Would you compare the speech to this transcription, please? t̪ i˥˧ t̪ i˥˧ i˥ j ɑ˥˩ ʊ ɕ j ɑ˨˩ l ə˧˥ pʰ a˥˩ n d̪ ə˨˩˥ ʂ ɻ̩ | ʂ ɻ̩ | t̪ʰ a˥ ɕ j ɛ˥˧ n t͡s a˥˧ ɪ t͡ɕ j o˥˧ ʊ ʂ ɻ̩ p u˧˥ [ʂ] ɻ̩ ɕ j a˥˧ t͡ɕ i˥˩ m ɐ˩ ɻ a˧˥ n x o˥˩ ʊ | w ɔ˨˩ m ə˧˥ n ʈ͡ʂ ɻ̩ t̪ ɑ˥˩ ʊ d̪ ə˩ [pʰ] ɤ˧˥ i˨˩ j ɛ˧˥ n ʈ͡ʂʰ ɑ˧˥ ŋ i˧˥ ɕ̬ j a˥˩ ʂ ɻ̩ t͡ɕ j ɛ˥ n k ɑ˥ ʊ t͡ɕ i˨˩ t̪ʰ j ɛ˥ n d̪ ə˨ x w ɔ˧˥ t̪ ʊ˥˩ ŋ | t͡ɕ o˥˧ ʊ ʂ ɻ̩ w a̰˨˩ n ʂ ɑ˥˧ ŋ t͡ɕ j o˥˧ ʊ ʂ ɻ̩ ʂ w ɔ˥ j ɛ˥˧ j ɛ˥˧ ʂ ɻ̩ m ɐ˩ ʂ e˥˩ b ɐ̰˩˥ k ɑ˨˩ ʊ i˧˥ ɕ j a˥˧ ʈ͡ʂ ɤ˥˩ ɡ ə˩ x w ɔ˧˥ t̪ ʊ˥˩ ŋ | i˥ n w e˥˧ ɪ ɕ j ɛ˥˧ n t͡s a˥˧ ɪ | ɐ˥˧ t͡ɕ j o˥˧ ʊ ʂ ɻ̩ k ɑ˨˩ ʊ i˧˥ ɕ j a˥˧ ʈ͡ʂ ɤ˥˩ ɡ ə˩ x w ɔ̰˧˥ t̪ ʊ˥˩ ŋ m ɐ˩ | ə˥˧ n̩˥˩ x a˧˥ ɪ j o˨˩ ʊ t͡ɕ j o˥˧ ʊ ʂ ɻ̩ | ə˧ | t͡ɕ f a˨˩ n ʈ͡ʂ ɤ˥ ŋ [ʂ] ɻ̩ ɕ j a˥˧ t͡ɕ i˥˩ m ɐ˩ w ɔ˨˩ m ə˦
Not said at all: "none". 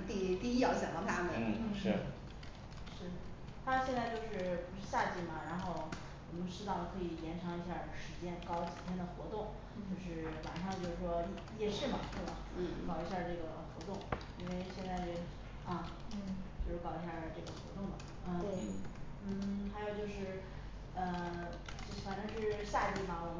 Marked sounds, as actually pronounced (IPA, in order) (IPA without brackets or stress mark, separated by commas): ʂ, kʰ, ʂ